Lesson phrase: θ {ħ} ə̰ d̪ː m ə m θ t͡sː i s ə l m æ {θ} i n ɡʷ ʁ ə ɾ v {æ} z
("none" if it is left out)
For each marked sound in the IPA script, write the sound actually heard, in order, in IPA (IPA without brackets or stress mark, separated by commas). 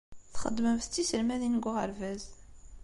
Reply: χ, ð, æ